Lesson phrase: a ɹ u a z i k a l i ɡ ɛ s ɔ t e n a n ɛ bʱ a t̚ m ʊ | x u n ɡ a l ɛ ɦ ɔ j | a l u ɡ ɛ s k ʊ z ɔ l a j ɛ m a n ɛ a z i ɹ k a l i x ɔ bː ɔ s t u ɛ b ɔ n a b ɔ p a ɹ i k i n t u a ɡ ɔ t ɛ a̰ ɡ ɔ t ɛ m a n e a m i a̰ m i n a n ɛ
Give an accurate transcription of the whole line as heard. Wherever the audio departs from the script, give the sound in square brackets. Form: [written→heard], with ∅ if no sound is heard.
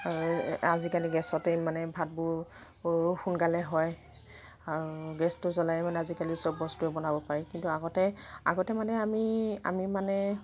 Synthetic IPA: a ɹ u a z i k a l i ɡ ɛ s ɔ t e [n→m] a n ɛ bʱ a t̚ [m→b] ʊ | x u n ɡ a l ɛ ɦ ɔ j | a [l→ɹ] u ɡ ɛ s [k→t] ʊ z ɔ l a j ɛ m a n ɛ a z i [ɹ→∅] k a l i [x→s] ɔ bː ɔ s t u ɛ b ɔ n a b ɔ p a ɹ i k i n t u a ɡ ɔ t ɛ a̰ ɡ ɔ t ɛ m a n [e→ɛ] a m i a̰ m i [n→m] a n ɛ